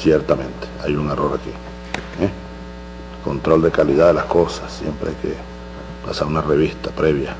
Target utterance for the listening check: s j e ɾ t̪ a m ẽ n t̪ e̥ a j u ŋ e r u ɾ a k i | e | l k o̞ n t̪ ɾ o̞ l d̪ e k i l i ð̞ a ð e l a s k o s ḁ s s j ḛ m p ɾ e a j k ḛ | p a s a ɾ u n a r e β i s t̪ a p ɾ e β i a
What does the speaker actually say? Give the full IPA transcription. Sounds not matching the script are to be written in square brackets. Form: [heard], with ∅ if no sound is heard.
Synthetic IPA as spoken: s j e ɾ t̪ a m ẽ n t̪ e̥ a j u ŋ e r [o] ɾ a k i | e | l k o̞ n t̪ ɾ o̞ l d̪ e k [a] l i ð̞ a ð e l a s k o s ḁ s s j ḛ m p ɾ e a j k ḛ | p a s a ɾ u n a r e β i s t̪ a p ɾ e β [j] a